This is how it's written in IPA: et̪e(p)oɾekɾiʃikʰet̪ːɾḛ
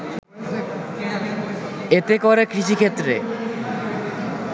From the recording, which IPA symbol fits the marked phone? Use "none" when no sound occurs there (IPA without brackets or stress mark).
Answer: k